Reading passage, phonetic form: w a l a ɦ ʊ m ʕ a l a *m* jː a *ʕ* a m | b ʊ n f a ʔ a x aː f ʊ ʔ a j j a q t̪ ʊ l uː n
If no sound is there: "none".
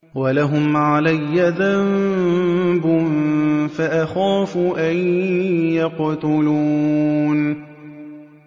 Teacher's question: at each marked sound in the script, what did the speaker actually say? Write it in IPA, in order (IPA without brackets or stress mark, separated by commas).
none, ð